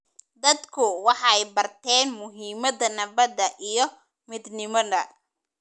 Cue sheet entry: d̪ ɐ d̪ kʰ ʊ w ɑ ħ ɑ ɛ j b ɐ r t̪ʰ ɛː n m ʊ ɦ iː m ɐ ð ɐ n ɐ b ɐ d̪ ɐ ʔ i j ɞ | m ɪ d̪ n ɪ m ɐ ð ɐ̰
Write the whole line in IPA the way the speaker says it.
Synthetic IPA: d̪ ɐ d̪ kʰ ʊ w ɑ ħ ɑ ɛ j b ɐ r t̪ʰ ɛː n m ʊ ɦ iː m ɐ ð ɐ n ɐ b ɐ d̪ ɐ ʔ i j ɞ | m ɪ d̪ n ɪ m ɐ ð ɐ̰